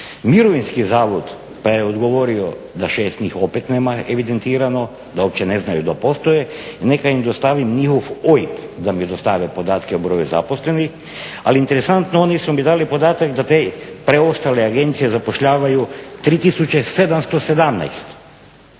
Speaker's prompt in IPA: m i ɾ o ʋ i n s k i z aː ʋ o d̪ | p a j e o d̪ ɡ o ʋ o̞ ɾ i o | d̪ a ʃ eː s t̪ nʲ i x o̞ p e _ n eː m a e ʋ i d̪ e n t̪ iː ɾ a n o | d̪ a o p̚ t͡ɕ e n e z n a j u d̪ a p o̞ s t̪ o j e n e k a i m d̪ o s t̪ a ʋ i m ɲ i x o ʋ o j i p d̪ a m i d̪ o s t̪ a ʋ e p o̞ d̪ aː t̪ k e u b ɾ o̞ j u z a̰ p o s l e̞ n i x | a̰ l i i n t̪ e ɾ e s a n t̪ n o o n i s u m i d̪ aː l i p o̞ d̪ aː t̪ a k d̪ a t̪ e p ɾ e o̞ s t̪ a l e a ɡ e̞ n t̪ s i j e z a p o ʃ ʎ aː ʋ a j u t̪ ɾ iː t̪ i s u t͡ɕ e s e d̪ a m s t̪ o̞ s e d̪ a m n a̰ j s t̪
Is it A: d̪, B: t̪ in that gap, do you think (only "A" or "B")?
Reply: B